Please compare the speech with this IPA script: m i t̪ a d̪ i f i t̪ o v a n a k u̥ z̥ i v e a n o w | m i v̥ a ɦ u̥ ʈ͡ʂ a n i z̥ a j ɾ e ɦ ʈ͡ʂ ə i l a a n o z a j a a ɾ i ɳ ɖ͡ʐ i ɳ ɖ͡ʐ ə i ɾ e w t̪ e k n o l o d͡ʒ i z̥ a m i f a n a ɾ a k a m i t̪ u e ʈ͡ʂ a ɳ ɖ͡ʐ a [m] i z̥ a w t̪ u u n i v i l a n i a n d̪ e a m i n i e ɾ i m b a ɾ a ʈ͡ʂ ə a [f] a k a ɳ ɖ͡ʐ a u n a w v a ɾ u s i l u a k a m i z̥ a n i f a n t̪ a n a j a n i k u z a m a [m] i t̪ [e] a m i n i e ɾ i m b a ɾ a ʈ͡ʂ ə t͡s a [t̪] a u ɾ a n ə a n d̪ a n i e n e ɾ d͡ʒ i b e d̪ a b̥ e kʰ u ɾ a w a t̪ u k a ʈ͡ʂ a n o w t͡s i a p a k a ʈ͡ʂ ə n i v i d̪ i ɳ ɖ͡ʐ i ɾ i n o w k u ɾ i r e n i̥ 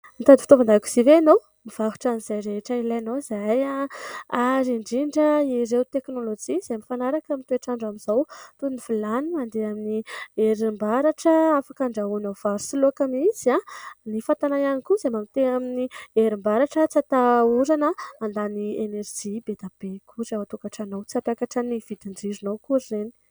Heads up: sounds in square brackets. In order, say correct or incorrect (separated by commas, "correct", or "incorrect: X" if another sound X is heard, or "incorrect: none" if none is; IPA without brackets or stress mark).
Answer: correct, correct, correct, correct, correct